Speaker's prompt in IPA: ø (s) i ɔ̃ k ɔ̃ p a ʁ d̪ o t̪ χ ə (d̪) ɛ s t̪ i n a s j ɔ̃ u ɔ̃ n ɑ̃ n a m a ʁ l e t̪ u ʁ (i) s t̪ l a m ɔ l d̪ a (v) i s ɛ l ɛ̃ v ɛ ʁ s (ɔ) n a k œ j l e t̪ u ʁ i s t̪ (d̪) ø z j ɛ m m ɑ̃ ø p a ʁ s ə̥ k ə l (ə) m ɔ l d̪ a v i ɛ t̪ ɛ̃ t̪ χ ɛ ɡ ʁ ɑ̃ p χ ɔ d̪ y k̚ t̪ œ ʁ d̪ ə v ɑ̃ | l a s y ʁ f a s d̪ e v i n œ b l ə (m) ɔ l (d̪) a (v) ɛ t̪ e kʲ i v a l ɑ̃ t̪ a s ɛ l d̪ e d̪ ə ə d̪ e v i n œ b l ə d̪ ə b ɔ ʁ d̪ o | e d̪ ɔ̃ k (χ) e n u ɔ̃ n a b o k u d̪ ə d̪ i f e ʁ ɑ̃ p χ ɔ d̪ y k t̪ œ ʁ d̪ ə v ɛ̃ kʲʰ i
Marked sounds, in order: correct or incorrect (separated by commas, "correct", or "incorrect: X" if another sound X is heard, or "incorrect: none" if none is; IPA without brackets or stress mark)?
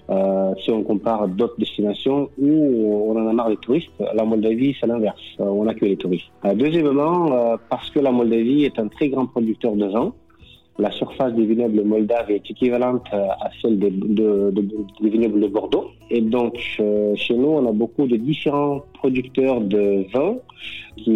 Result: correct, correct, correct, correct, incorrect: ɔ̃, correct, incorrect: a, correct, correct, correct, incorrect: ʃ